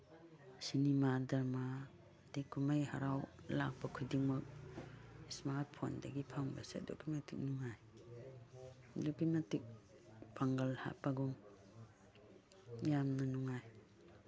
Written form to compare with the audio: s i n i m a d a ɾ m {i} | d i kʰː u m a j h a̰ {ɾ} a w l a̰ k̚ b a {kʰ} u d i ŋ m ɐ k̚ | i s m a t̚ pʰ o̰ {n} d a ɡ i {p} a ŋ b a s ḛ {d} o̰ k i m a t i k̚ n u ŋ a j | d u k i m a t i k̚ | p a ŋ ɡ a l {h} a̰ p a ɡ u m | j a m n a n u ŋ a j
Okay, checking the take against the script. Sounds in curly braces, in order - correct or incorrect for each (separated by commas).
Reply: incorrect, correct, correct, correct, incorrect, correct, correct